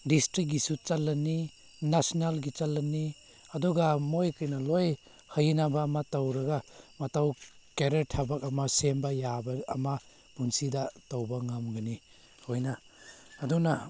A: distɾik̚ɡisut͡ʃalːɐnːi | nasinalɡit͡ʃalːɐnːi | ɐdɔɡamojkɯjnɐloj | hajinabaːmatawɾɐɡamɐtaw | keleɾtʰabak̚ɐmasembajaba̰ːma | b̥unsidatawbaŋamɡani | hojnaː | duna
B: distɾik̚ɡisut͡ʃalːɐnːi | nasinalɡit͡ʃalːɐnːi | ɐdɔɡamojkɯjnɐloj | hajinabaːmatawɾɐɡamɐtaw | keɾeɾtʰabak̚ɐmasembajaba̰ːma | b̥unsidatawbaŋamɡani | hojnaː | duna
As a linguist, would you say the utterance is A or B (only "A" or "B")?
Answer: B